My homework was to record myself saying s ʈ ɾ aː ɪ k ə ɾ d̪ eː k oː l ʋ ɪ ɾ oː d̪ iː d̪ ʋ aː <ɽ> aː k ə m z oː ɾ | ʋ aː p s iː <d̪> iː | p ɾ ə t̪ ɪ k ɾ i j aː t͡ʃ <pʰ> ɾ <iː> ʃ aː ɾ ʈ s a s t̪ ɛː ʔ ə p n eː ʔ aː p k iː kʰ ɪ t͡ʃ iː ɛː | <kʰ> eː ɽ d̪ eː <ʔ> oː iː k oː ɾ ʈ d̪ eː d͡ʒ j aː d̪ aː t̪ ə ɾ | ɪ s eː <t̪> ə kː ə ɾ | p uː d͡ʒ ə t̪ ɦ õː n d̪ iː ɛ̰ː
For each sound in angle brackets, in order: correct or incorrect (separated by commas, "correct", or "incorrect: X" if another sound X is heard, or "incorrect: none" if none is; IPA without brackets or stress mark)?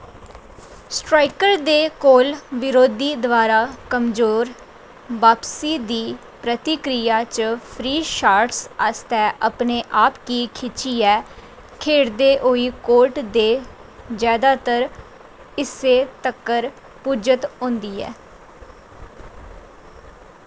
incorrect: ɾ, correct, correct, correct, correct, correct, correct